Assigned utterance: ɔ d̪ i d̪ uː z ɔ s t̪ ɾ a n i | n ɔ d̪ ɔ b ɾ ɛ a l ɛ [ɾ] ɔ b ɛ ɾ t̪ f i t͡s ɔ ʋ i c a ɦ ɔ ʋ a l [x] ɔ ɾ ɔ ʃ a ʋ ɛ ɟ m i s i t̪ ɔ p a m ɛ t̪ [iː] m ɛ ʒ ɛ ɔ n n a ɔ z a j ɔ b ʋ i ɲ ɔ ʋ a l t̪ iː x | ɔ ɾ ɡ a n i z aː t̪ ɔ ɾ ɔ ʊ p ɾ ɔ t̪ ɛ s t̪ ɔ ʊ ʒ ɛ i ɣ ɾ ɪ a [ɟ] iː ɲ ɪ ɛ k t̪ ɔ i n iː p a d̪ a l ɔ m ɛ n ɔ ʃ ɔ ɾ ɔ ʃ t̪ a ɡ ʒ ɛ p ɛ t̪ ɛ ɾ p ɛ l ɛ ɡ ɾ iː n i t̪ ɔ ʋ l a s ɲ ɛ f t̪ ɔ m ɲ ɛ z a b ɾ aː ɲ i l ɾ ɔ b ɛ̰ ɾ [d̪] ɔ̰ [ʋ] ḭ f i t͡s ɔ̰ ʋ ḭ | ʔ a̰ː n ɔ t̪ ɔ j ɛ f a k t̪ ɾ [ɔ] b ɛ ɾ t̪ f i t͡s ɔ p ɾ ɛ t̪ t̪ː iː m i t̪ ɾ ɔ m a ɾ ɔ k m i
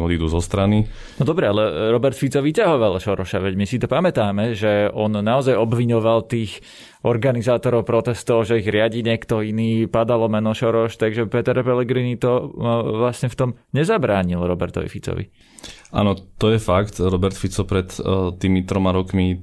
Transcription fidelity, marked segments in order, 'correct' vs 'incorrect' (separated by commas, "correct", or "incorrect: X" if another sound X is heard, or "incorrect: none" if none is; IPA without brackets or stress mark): correct, incorrect: ʃ, incorrect: aː, correct, incorrect: t̪, correct, correct